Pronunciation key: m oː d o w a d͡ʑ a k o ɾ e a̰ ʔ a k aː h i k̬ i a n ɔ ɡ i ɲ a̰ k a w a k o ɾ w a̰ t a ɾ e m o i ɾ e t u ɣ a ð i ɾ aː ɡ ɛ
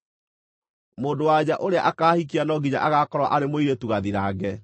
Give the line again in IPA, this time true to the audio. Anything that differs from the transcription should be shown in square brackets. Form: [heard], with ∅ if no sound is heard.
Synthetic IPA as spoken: m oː d o w a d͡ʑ a [ʔ] o ɾ e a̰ ʔ a k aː h i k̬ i a n ɔ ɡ i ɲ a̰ [ʔ] a [ɣ] a k [ɔ] ɾ w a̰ [ʔ] a ɾ e m o i ɾ e t u ɣ a ð i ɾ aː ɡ ɛ